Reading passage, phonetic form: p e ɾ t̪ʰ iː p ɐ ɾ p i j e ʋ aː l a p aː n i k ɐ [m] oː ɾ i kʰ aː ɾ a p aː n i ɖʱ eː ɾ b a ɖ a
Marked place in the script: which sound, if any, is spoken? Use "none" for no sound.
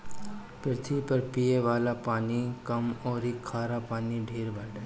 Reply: m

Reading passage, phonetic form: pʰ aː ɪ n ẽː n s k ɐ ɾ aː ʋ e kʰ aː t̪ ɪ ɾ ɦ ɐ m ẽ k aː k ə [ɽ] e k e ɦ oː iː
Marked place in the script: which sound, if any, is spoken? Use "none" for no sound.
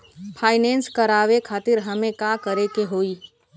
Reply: ɾ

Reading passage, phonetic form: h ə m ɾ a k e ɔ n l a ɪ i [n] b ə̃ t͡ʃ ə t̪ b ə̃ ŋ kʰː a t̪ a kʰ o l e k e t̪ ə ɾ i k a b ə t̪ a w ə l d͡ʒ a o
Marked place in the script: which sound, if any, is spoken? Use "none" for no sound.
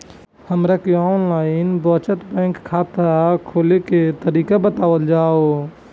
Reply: n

